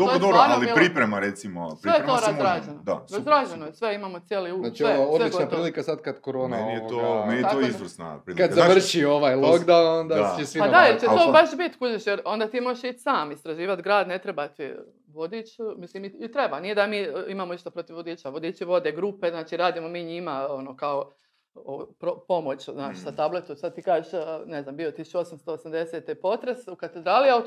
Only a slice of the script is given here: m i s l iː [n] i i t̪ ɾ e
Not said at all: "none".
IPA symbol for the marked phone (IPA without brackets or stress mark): m